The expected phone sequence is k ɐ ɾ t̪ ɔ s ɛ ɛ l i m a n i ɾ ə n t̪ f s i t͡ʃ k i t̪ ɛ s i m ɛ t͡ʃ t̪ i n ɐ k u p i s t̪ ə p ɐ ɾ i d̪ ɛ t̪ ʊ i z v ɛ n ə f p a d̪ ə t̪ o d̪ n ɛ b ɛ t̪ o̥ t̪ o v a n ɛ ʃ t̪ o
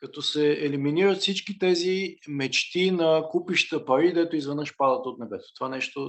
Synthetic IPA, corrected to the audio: k ɐ t̪ ɔ s ɛ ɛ l i m i n i ɾ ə t̪ f s i t͡ʃ k i t̪ ɛ z i m ɛ t͡ʃ t̪ i n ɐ k u p i ʃ t̪ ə p ɐ ɾ i d̪ ɛ t̪ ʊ i z v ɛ n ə ʃ p a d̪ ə t̪ o t̪ n ɛ b ɛ t̪ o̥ t̪ o v a n ɛ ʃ t̪ o